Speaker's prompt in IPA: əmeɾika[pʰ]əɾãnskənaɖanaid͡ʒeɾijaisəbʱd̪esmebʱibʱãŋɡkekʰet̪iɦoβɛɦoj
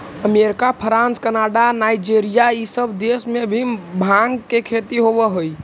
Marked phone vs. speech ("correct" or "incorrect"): correct